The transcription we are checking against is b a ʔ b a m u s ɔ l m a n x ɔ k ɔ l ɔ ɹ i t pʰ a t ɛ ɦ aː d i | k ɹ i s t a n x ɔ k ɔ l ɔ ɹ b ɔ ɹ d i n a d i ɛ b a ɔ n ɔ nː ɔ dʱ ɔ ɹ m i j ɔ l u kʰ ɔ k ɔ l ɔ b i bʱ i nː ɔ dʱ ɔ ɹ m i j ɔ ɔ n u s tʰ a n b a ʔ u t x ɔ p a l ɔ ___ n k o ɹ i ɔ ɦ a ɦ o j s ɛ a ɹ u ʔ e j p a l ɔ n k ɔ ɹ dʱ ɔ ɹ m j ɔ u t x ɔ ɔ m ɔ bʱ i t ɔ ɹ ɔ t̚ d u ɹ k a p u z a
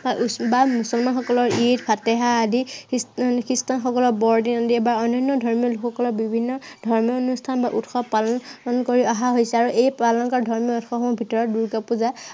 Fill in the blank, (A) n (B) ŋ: A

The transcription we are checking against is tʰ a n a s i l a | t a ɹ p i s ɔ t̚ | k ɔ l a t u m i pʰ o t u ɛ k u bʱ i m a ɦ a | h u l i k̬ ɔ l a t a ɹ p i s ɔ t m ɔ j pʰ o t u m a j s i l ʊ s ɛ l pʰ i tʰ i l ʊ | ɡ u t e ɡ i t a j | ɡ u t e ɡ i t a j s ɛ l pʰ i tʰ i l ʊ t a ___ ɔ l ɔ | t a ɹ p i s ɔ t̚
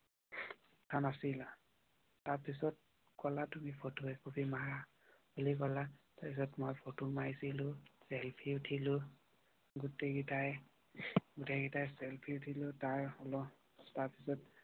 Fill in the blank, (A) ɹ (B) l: A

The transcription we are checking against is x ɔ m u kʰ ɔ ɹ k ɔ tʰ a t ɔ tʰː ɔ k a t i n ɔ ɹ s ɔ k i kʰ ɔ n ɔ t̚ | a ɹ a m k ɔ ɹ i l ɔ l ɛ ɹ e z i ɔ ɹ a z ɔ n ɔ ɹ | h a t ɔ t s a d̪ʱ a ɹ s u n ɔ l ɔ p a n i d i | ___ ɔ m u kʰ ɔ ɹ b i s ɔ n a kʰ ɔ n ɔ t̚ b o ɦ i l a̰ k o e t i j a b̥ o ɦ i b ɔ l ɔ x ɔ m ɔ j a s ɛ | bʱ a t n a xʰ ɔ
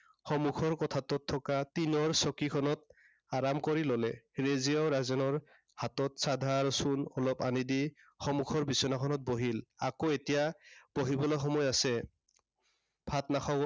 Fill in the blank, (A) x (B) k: A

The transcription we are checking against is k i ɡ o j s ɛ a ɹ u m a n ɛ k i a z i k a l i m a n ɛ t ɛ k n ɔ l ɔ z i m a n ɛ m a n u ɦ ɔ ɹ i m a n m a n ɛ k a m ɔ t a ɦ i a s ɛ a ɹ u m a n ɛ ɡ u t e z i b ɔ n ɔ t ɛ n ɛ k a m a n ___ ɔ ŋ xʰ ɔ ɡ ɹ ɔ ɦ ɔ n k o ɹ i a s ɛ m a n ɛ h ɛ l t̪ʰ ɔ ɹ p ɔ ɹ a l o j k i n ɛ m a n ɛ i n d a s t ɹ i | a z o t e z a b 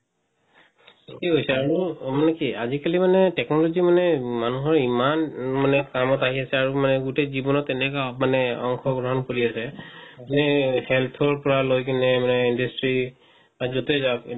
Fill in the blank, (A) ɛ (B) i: A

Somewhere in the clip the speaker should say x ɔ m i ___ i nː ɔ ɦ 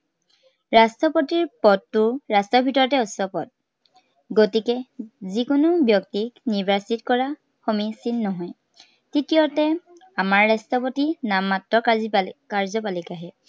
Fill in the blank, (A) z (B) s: B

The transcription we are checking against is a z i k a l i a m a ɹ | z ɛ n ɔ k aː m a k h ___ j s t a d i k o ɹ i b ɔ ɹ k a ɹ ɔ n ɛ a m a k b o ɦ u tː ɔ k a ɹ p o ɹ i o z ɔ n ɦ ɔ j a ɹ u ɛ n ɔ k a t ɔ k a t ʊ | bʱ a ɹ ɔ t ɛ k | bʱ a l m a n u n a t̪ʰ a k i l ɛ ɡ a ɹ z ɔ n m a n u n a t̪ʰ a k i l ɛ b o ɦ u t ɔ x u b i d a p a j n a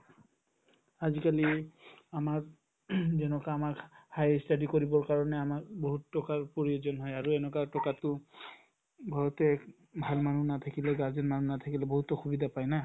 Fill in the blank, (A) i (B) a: B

